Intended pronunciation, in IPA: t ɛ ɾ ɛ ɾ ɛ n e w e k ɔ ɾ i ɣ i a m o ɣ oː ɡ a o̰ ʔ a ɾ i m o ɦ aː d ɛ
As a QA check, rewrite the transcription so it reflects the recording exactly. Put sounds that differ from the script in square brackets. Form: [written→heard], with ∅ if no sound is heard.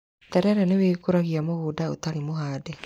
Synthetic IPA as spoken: t ɛ ɾ ɛ ɾ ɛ n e w e k [ɔ→o] ɾ [i→a] ɣ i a m o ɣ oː [ɡ→d] a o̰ [ʔ→t] a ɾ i m o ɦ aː d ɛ